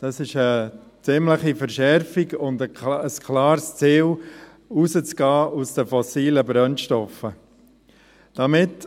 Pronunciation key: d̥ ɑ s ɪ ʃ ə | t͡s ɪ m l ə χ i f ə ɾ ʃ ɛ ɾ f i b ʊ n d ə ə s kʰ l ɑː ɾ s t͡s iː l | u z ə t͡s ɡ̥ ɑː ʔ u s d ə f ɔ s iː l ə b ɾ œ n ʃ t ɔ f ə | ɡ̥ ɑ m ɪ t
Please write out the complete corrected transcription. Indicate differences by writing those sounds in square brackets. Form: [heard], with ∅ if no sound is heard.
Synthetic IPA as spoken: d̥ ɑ s ɪ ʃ ə | t͡s ɪ m l ə χ i f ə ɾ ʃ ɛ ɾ f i [ɡ] ʊ n d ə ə s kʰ l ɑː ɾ s t͡s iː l | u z ə t͡s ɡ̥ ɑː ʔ u s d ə f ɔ s iː l ə b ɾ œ n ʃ t ɔ f ə | [d̥] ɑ m ɪ t